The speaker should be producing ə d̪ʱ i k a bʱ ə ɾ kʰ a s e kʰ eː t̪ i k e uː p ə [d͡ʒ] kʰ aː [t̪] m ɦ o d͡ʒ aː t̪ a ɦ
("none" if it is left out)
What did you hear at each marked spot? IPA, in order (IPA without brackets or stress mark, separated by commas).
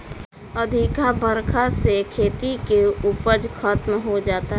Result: d͡ʒ, t̪